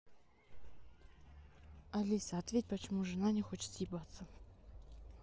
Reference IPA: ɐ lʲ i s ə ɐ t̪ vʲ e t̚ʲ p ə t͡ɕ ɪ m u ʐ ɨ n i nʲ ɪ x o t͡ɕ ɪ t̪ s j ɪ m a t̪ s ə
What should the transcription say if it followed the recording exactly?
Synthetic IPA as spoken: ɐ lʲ i s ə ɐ t̪ vʲ e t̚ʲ p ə t͡ɕ ɪ m u ʐ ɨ n a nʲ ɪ x o t͡ɕ ɪ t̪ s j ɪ b a t̪ s ə